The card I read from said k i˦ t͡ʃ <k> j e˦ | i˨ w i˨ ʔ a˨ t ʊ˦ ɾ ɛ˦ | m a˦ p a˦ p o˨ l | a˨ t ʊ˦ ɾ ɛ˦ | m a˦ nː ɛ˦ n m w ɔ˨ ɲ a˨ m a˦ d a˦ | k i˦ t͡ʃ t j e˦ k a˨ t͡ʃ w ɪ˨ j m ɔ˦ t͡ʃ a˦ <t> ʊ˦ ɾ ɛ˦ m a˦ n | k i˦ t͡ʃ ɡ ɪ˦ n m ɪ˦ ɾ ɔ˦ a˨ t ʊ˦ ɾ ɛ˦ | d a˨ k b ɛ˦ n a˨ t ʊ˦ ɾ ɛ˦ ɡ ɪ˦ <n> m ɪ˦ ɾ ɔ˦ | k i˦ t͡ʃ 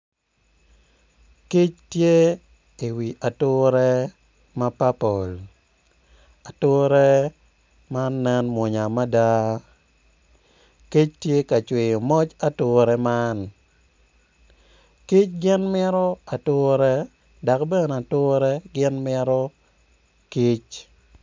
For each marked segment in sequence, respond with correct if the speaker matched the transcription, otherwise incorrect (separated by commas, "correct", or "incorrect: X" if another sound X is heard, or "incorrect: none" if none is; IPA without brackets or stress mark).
incorrect: t, correct, correct